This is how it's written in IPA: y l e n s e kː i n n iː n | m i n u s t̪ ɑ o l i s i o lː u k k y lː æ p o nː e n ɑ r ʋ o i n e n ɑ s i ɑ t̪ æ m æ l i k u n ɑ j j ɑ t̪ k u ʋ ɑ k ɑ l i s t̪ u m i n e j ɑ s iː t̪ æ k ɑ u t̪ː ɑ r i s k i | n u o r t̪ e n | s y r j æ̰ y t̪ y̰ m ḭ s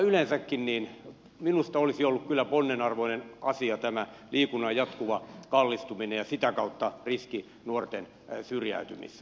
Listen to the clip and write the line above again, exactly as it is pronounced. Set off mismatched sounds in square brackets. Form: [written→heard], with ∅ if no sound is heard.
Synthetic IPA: y l e n s [e→æ] kː i n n iː n | m i n u s t̪ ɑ o l i s i o lː u k k y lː æ p o nː e n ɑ r ʋ o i n e n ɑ s i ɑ t̪ æ m æ l [i→iː] k u n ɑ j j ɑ t̪ k u ʋ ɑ k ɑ [l→lː] i s t̪ u m i n e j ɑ s [iː→i] t̪ æ k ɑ u t̪ː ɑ r i s k i | n u o r t̪ e n | s y r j æ̰ y t̪ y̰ m ḭ s